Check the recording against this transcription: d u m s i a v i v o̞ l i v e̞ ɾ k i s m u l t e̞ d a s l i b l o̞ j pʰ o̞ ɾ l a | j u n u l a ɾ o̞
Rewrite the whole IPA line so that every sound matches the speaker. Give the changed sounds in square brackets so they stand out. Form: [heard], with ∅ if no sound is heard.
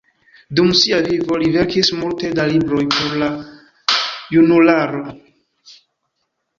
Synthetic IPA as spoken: d u m s i a v i v o̞ l i v e̞ ɾ k i s m u l t e̞ d a [∅] l i b [ɾ] o̞ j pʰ o̞ ɾ l a | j u n u l a ɾ o̞